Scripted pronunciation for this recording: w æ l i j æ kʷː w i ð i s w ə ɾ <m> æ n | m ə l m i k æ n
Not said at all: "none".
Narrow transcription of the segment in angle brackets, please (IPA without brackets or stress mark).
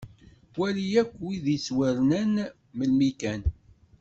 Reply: n